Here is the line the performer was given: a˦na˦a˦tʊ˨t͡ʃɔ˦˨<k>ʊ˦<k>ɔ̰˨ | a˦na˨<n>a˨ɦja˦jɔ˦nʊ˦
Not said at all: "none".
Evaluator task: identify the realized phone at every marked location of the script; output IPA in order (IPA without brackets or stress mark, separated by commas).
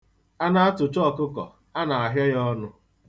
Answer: k, k, none